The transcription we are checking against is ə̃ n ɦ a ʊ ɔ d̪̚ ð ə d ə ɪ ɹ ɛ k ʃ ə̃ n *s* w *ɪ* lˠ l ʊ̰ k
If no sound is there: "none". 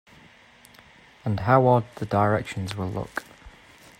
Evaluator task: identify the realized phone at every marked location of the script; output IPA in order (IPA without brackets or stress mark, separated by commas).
z, ɪ